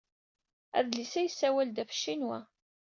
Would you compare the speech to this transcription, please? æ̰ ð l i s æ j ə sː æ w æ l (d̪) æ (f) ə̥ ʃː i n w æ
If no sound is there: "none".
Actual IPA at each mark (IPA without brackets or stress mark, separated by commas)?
d̪, f